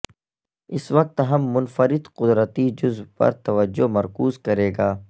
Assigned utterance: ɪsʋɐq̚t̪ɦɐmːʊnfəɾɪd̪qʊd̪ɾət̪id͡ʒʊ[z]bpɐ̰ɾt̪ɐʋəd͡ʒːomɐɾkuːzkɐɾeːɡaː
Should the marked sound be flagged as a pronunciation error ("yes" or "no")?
no